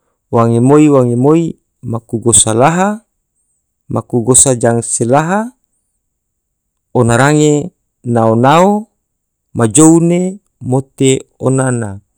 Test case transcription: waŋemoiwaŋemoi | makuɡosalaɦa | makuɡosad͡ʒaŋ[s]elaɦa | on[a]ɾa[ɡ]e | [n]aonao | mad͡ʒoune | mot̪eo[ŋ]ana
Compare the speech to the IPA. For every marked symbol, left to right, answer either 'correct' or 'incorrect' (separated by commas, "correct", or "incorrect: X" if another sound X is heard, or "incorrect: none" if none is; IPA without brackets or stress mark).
correct, correct, incorrect: ŋ, correct, incorrect: n